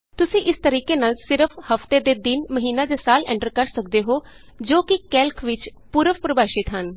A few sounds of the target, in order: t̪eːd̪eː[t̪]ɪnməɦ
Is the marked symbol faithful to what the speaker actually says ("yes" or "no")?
no